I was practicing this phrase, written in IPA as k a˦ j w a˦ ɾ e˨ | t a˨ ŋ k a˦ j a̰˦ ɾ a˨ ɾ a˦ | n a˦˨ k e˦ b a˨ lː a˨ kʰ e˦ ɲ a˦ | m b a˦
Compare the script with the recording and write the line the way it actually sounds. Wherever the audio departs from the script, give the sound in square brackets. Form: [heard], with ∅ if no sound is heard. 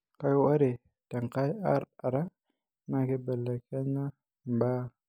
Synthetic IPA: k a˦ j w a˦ ɾ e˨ | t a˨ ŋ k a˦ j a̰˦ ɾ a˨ ɾ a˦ | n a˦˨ k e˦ b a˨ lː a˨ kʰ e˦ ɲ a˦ | m b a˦